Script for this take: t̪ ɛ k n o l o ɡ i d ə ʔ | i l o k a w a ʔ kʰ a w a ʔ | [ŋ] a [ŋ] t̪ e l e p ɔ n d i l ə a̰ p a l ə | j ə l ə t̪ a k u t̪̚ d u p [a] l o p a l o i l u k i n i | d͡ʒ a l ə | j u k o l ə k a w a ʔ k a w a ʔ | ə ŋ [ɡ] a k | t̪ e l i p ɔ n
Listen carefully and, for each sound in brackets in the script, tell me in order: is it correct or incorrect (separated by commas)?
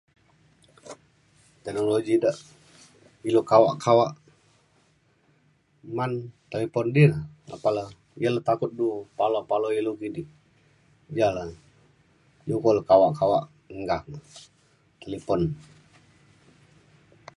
incorrect, incorrect, correct, correct